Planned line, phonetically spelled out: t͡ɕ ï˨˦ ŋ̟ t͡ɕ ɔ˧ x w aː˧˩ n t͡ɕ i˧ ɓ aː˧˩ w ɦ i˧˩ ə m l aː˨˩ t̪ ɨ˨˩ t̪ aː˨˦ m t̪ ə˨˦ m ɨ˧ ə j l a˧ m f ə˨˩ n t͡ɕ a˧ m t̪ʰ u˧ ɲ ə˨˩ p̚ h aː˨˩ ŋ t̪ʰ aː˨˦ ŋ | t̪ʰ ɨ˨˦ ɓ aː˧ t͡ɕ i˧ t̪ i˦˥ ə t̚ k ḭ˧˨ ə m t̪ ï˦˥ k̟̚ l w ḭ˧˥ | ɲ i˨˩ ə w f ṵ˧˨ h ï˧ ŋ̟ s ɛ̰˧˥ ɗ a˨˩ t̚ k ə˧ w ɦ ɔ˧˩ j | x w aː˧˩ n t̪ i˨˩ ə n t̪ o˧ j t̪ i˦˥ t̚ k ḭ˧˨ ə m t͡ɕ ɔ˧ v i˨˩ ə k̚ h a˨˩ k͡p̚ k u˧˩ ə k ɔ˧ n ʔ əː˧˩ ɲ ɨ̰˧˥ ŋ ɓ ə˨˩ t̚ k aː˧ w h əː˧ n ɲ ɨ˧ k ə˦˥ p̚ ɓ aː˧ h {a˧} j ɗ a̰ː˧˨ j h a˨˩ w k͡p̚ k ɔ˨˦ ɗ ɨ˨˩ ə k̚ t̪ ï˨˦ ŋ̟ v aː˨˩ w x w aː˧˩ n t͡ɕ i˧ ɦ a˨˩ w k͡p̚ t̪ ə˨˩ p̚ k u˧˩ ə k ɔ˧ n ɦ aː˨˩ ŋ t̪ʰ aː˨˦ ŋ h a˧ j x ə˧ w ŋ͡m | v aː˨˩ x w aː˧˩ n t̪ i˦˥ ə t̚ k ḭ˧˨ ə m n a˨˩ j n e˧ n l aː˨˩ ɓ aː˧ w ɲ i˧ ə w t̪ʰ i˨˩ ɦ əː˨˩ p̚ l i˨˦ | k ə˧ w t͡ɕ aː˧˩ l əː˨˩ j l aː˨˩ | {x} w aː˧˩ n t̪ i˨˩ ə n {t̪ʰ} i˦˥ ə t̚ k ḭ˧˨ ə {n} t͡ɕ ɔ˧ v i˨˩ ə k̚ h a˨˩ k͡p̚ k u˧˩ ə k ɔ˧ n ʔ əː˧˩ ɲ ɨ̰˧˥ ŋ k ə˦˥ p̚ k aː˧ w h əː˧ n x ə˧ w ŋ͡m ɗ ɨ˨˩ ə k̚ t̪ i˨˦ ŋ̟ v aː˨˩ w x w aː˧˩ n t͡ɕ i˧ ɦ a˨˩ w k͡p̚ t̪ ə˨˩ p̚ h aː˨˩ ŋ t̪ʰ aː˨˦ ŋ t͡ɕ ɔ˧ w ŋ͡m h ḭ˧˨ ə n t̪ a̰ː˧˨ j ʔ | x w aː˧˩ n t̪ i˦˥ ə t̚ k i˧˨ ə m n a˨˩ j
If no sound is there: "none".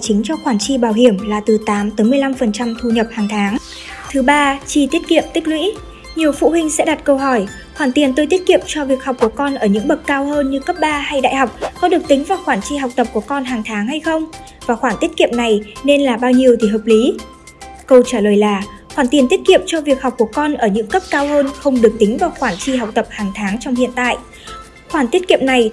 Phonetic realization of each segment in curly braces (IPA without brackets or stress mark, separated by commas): a˧, x, t̪, m